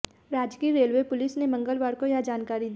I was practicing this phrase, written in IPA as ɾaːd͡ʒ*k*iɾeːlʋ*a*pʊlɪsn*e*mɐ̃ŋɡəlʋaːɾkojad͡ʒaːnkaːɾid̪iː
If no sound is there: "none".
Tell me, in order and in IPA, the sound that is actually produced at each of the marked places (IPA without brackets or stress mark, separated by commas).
k, e, e